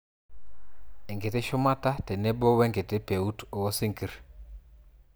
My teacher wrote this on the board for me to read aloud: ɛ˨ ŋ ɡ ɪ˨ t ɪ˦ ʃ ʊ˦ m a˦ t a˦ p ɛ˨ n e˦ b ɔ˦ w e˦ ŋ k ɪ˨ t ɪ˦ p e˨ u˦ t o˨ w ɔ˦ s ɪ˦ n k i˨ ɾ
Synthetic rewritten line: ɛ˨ ŋ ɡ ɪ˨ t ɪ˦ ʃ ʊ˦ m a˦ t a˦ t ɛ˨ n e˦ b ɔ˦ w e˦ ŋ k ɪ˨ t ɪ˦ p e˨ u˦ t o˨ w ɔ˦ s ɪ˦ ŋ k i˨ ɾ